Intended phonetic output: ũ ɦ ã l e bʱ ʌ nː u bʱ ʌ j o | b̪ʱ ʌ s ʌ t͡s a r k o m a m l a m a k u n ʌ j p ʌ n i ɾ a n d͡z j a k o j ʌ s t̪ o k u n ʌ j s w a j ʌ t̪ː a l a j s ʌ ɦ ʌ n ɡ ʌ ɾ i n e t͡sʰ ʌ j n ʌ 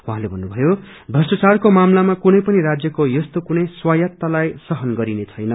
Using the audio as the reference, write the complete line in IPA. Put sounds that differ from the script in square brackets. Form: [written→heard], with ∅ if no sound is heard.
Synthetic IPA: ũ ɦ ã l e bʱ ʌ nː u bʱ ʌ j o | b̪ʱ ʌ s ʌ t͡s a r k o m a m l a m a k u n ʌ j p ʌ n i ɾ a [n→∅] d͡z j [a→ʌ] k o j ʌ s t̪ o k u n ʌ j s w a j ʌ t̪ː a l a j s ʌ ɦ ʌ n ɡ ʌ ɾ i n e t͡sʰ ʌ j n ʌ